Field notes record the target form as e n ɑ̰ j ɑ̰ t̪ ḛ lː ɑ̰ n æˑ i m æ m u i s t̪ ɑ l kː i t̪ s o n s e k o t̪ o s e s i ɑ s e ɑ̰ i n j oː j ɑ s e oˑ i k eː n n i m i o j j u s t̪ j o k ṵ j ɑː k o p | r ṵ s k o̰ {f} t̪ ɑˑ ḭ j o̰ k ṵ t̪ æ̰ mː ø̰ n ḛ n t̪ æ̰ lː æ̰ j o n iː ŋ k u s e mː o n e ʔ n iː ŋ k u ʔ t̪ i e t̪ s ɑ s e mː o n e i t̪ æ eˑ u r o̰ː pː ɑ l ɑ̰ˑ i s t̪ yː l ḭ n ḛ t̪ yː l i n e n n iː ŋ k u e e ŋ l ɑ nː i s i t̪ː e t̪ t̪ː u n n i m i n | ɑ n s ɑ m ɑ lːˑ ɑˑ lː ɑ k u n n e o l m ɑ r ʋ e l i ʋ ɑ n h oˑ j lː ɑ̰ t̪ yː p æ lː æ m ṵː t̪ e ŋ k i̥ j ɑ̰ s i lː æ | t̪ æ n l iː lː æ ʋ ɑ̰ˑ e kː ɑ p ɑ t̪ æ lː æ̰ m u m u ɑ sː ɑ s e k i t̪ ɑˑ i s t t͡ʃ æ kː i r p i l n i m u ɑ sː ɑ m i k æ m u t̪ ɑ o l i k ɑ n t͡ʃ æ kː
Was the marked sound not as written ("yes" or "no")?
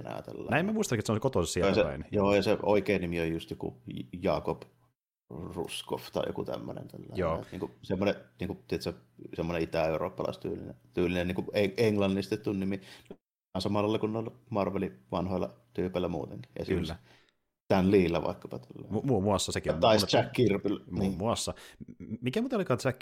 no